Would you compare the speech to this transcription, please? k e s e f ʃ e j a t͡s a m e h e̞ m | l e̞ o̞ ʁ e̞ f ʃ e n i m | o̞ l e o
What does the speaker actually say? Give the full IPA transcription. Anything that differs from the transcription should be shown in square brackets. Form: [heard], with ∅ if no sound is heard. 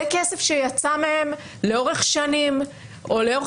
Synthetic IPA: k e s e f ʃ e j a t͡s a m e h e̞ m | l e̞ o̞ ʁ e̞ [χ] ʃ [a] n i m | o̞ l e o